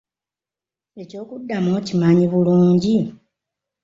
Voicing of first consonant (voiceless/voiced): voiceless